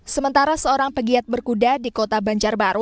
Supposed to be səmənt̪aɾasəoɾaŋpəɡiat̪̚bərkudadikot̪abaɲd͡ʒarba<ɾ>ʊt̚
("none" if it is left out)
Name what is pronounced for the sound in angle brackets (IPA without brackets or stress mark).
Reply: ɾ